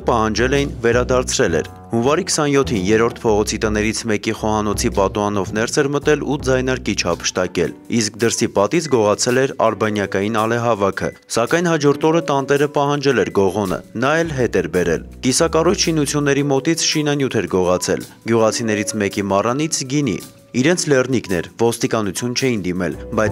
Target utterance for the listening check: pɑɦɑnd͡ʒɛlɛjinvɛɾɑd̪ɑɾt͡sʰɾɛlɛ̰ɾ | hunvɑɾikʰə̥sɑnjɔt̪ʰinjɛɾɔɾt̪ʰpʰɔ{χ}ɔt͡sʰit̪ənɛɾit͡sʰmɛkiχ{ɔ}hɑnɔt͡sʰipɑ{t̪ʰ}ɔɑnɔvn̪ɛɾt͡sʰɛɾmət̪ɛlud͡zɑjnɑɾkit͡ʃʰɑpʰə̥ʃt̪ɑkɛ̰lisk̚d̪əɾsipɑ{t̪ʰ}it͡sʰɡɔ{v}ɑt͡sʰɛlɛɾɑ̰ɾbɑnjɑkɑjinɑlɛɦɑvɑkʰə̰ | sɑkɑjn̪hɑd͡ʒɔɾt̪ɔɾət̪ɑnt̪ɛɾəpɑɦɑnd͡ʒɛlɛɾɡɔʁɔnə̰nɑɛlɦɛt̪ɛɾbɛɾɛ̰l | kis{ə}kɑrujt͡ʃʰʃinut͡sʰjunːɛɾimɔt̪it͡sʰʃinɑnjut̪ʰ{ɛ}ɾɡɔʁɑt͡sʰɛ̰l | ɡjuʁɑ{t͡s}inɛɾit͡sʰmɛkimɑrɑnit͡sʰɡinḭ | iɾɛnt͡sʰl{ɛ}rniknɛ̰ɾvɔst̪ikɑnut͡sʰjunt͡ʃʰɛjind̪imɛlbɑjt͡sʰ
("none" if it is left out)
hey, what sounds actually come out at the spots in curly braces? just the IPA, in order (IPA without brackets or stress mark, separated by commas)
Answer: ʁ, ɔ, t̪, t̪, ʁ, ɑ, ɛ, t͡sʰ, ɛ